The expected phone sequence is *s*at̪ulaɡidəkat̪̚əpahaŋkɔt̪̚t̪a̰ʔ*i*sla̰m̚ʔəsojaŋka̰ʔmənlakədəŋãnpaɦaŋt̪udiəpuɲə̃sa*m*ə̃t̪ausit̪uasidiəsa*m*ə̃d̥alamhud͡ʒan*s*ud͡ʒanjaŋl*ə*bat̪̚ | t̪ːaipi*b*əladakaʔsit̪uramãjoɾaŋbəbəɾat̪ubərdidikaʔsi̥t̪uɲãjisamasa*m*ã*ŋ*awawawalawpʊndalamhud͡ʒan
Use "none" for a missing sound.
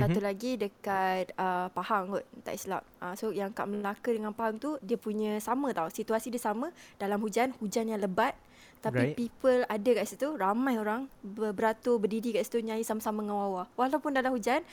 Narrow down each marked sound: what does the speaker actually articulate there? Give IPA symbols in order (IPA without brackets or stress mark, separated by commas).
s, i, m, m, h, ə, p, m, ŋ